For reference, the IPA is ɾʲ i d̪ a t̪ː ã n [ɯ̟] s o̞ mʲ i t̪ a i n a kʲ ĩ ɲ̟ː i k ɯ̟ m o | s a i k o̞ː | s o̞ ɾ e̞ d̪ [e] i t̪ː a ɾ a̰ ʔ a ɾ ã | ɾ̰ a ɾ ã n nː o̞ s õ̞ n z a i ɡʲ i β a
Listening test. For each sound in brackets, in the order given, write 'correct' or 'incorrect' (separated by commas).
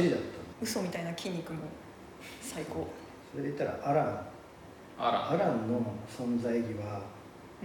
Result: correct, correct